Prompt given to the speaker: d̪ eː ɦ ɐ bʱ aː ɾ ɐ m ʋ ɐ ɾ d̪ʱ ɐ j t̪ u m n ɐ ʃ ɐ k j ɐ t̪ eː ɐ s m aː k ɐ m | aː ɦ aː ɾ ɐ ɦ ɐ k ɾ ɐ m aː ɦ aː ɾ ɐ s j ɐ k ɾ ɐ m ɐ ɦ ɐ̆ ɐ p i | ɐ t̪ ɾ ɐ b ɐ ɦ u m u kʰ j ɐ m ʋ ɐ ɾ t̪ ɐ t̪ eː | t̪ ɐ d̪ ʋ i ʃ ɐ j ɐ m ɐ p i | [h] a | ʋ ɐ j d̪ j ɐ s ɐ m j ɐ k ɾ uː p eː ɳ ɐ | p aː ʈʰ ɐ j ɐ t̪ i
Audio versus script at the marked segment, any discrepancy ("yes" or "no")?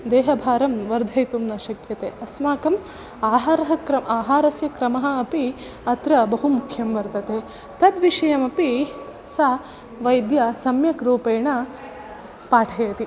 yes